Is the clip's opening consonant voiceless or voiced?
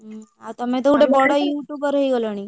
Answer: voiceless